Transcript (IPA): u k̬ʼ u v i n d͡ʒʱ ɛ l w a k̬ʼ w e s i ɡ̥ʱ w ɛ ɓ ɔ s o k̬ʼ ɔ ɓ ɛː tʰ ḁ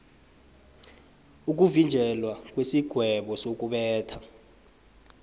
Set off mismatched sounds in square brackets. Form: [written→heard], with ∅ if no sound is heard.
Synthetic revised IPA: u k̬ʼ u v i n d͡ʒʱ ɛ l w a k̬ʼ w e s i ɡ̥ʱ w ɛ ɓ ɔ s o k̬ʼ [ɔ→u] ɓ ɛː tʰ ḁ